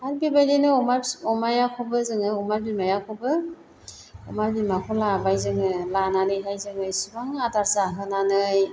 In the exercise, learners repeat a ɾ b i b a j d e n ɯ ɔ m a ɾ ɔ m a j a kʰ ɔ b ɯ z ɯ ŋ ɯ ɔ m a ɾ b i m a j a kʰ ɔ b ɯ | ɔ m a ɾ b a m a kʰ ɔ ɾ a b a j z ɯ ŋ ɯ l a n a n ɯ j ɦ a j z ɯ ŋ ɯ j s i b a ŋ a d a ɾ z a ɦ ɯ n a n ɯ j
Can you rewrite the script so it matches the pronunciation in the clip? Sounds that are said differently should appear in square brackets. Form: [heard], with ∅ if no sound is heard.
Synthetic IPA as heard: a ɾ b i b a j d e n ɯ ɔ m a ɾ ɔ m a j a kʰ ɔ b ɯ z ɯ ŋ ɯ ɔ m a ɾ b i m a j a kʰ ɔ b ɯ | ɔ m a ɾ b [i] m a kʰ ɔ [l] a b a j z ɯ ŋ ɯ l a n a n ɯ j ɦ a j z ɯ ŋ ɯ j s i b a ŋ a d a ɾ z a ɦ ɯ n a n ɯ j